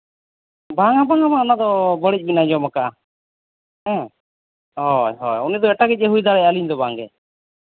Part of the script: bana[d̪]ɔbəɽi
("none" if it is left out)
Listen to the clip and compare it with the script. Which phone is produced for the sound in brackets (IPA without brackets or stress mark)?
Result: d̪